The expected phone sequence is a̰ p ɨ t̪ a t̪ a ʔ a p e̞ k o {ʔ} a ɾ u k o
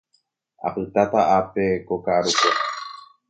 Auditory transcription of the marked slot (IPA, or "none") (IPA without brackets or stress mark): k